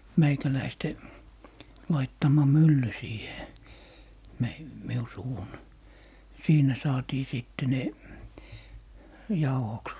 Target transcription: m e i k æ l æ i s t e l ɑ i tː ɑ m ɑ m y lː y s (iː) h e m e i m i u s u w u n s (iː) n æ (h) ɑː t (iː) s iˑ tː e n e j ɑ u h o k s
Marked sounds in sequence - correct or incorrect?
correct, correct, incorrect: s, correct

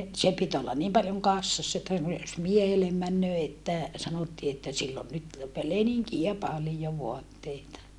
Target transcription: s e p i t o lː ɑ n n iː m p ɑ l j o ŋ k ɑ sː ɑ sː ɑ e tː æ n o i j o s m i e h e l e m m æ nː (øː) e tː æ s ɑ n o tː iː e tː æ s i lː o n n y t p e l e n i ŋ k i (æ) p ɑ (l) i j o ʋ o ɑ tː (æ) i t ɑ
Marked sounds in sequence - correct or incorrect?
correct, correct, correct, incorrect: e

